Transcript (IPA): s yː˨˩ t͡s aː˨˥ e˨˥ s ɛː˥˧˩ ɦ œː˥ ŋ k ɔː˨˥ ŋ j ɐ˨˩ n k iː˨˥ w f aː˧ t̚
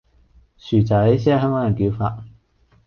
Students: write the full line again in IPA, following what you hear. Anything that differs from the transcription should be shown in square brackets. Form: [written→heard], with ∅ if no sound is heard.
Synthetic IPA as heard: s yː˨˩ t͡s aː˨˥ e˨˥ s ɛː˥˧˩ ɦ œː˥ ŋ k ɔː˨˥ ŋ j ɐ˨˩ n k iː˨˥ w f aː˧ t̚